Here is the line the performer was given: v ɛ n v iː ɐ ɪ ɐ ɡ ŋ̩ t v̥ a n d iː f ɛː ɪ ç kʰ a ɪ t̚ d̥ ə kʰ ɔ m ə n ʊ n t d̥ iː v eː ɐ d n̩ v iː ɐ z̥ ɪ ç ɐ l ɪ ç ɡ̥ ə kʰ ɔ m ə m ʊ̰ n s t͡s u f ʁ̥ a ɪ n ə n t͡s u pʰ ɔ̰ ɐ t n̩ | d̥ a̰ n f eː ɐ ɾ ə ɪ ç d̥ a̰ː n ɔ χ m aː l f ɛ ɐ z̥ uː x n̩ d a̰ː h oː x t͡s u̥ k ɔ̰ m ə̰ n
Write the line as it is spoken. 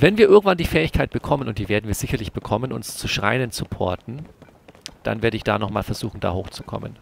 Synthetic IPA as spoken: v ɛ n v iː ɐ ɪ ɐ ɡ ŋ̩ t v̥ a n d iː f ɛː ɪ ç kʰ a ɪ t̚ b̥ ə kʰ ɔ m ə n ʊ n t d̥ iː v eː ɐ d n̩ v iː ɐ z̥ ɪ ç ɐ l ɪ ç b̥ ə kʰ ɔ m ə n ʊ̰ n s t͡s u ʃ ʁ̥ a ɪ n ə n t͡s u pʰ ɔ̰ ɐ t n̩ | d̥ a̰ n v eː ɐ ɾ ə ɪ ç d̥ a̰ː n ɔ χ m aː l f ɛ ɐ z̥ uː x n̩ d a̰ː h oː x t͡s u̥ kʰ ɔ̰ m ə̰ n